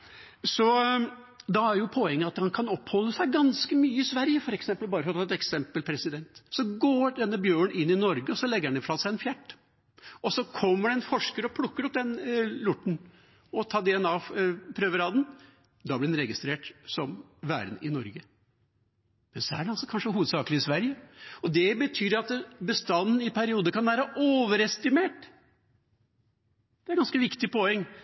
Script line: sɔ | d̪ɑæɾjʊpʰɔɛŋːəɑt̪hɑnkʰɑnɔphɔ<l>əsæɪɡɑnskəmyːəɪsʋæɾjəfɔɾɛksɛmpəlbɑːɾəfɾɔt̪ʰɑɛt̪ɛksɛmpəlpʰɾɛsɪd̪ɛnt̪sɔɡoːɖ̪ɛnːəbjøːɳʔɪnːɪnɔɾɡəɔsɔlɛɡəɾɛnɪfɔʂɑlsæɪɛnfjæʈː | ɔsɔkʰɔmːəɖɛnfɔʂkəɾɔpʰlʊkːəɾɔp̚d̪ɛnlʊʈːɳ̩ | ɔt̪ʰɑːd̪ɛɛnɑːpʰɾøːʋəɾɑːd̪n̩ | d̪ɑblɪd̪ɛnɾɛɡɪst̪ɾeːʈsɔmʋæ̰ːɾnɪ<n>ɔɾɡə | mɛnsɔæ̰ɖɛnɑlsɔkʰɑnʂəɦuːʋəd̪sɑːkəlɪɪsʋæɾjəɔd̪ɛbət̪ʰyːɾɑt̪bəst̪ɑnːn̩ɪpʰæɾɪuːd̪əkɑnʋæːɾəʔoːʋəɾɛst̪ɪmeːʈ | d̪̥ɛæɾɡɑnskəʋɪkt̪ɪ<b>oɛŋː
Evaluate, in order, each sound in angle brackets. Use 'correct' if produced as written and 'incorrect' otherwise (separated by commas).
incorrect, correct, incorrect